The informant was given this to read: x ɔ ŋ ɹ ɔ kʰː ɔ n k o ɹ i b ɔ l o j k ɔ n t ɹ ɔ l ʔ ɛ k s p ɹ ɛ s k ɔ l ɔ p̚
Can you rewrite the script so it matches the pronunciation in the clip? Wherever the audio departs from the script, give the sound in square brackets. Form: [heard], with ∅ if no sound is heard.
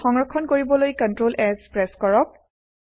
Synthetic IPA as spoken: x ɔ ŋ ɹ ɔ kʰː ɔ n k o ɹ i b ɔ l o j k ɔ n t ɹ [o] l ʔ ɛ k s p ɹ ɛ s k ɔ [ɹ] ɔ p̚